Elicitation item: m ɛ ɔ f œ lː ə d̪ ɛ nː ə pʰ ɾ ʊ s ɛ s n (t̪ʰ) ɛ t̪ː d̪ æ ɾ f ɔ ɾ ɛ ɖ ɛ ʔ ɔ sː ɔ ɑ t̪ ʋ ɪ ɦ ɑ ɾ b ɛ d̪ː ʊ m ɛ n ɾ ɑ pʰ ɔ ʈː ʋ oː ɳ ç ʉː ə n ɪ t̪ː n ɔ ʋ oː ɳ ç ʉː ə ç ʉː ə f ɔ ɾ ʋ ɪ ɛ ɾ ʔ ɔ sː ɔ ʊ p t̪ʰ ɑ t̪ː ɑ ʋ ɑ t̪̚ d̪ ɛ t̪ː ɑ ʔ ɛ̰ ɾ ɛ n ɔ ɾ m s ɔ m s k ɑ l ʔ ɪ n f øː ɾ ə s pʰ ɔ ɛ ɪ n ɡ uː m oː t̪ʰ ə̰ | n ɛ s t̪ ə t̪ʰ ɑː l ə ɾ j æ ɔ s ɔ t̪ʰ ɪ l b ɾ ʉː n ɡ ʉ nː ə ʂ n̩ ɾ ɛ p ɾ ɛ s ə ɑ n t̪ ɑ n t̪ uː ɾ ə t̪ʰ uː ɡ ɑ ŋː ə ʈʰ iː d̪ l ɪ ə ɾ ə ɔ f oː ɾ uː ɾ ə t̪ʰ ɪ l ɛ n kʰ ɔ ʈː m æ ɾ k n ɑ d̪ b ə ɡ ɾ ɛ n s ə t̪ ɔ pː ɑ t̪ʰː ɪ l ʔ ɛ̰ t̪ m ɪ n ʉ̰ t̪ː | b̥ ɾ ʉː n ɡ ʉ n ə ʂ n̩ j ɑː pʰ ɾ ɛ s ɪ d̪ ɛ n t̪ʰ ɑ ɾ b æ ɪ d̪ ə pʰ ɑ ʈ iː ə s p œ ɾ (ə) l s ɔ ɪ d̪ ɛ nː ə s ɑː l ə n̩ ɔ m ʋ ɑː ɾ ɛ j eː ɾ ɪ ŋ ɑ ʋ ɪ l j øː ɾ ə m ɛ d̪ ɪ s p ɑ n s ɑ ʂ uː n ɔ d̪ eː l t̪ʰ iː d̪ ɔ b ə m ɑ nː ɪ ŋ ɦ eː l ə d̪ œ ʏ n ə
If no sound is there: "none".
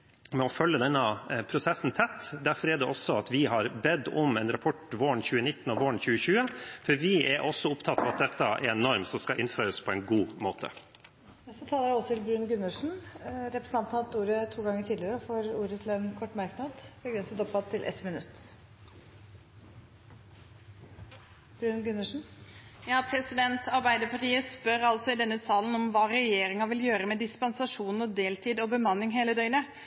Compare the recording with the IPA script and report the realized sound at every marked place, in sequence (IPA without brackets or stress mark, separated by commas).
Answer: t̪ʰ, ɑ